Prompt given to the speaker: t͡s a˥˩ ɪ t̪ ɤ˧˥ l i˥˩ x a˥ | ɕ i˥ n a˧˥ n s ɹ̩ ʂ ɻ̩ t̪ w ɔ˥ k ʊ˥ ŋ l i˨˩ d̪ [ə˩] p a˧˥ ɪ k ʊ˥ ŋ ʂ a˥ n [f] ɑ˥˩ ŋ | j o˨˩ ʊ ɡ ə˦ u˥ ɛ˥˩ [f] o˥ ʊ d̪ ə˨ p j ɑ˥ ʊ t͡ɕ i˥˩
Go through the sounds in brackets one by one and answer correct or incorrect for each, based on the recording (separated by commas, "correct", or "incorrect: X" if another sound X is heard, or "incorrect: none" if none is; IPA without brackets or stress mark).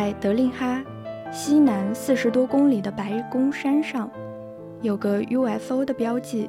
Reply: incorrect: ə˦, incorrect: ʂ, correct